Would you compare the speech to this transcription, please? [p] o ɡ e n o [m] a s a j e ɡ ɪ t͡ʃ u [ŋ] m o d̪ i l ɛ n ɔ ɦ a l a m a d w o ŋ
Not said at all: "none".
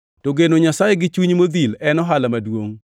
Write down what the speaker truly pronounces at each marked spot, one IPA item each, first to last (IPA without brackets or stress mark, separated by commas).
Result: t, ɲ, ɲ